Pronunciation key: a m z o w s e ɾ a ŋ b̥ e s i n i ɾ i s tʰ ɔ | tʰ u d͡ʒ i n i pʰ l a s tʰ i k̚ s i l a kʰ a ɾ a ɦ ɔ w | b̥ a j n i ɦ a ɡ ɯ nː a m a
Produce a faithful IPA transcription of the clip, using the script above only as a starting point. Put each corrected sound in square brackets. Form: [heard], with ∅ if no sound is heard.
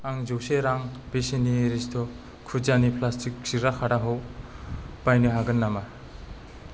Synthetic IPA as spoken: a [ŋ] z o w s e ɾ a ŋ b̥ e s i n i ɾ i s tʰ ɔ | [kʰ] u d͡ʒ [a] n i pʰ l a s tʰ i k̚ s i [ɾ] a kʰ a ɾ a ɦ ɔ w | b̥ a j n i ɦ a ɡ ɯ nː a m a